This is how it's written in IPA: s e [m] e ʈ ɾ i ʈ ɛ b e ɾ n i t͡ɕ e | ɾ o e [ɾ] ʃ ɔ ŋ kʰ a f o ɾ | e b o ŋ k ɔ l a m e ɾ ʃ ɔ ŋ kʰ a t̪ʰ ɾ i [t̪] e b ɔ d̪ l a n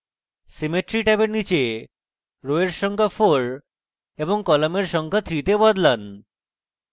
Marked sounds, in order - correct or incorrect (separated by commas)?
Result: correct, correct, correct